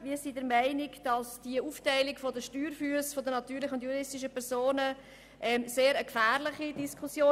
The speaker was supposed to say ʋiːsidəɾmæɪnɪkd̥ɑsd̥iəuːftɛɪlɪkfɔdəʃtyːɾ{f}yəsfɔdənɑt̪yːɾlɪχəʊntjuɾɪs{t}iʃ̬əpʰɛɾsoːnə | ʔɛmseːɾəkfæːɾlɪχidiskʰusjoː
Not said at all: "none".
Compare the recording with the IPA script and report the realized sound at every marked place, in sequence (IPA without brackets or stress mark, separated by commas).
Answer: f, t